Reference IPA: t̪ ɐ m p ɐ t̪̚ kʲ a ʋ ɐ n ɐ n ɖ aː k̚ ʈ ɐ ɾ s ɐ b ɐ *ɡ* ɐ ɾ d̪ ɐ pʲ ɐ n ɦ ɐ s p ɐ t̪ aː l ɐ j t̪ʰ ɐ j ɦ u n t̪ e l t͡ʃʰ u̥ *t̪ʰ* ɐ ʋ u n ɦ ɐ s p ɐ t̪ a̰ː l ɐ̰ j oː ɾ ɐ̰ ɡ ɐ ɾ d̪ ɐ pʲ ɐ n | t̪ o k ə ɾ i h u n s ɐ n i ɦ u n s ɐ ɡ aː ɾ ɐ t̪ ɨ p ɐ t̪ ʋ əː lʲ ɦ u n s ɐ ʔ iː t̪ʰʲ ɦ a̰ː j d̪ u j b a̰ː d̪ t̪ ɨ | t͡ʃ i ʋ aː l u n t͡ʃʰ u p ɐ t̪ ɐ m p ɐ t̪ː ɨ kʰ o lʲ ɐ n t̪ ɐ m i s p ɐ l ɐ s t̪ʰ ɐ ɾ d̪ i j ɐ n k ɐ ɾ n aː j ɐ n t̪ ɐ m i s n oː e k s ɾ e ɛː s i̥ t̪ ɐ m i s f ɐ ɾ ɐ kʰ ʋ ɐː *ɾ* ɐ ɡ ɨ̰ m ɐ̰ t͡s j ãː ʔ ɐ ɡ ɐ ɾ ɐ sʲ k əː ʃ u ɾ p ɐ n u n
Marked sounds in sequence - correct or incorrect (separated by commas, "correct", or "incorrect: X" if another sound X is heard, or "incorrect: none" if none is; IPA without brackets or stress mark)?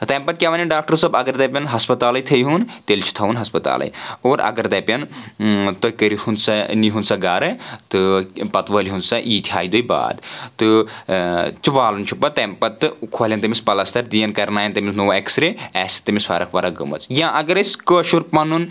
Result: correct, correct, correct